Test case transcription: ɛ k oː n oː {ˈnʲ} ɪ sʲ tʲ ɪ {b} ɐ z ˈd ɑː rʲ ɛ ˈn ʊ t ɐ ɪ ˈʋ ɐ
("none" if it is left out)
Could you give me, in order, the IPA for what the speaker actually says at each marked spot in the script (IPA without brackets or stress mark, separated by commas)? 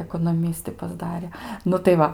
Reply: mʲ, p